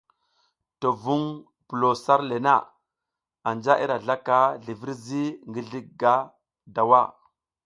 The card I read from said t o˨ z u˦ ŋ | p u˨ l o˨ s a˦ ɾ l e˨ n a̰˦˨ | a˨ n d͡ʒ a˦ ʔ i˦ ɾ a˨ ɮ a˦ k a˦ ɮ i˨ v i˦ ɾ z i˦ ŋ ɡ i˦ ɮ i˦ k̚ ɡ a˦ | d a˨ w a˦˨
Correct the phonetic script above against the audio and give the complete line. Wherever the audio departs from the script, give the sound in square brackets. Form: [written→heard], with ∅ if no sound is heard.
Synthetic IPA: t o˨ [z→v] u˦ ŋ | p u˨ l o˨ s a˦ ɾ l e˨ n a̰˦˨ | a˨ n d͡ʒ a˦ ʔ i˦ ɾ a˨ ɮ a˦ k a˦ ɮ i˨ v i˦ ɾ z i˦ ŋ ɡ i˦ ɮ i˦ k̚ ɡ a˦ | d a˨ w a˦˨